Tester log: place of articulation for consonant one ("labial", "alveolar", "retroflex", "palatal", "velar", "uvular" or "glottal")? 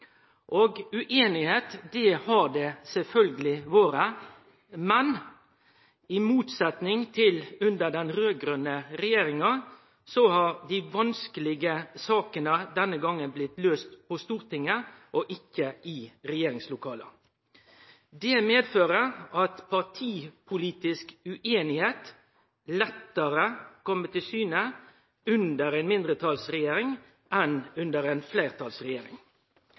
glottal